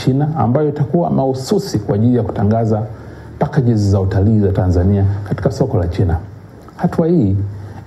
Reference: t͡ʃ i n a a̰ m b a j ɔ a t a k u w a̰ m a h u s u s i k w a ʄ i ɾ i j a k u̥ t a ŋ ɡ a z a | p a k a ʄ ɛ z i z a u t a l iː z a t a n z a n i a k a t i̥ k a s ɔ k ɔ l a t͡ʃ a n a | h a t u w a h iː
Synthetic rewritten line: t͡ʃ i n a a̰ m b a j ɔ i t a k u w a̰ m a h u s u s i k w a ʄ i l i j a k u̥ t a ŋ ɡ a z a | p a k a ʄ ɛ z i z a u t a l iː z a t a n z a n i a k a t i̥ k a s ɔ k ɔ l a t͡ʃ i n a | h a t u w a h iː